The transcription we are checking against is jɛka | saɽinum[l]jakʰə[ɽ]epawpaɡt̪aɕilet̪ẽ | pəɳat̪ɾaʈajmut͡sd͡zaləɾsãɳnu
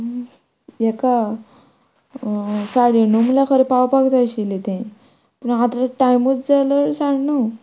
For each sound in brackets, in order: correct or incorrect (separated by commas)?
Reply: correct, incorrect